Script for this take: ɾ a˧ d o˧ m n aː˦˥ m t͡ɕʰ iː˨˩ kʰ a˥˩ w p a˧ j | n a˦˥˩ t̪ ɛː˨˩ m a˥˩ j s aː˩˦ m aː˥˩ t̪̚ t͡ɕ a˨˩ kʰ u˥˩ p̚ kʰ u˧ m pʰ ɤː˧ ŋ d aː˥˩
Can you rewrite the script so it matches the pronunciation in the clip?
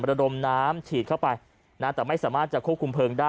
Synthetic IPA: ɾ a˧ d o˧ m n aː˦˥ m t͡ɕʰ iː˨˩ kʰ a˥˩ w p a˧ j | n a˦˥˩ t̪ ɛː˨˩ m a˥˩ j s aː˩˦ m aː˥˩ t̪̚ t͡ɕ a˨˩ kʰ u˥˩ p̚ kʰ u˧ m pʰ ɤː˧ ŋ d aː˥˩